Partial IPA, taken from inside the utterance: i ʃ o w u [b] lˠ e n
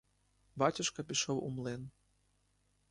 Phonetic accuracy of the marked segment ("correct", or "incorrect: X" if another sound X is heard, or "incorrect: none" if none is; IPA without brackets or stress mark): incorrect: m